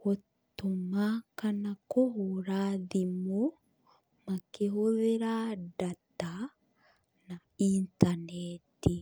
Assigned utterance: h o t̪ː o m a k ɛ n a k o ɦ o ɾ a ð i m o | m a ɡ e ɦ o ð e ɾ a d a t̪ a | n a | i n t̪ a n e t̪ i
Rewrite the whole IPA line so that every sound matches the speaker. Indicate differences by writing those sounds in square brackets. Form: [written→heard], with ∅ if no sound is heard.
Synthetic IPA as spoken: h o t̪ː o m a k [ɛ→a] n a k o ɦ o ɾ a ð i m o | m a [ɡ→k] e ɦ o ð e ɾ a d a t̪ a | n a | i n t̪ a n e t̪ i